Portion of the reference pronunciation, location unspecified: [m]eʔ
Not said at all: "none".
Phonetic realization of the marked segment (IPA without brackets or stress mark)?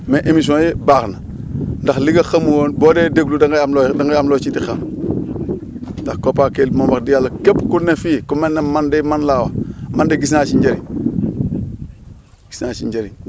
m